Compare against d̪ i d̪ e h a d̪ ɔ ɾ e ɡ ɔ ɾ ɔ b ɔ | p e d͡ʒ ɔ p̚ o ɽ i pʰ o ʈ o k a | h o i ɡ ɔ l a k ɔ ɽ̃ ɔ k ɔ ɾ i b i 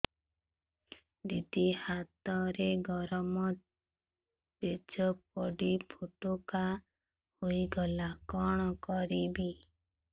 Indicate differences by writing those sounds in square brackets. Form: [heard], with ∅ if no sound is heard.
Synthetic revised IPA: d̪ i d̪ [i] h a [t̪] ɔ ɾ e ɡ ɔ ɾ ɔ [m] ɔ | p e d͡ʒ ɔ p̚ [ɔ] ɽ i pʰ o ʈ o k a | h o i ɡ ɔ l a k ɔ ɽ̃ ɔ k ɔ ɾ i b i